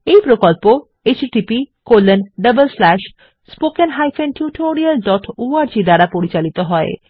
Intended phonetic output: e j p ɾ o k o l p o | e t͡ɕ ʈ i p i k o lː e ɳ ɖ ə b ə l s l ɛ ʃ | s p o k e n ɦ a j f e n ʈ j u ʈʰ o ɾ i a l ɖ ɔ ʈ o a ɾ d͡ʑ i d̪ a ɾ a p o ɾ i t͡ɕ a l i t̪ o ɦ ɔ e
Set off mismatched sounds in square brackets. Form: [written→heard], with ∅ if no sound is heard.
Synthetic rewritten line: e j p ɾ o k o l p o | e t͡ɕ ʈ i p i k o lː e [ɳ→n] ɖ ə b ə l s l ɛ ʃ | s p o k e n ɦ a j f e n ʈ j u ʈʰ o ɾ i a l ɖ ɔ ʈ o a ɾ d͡ʑ i d̪ a ɾ a p o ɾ i t͡ɕ a l i t̪ o ɦ ɔ e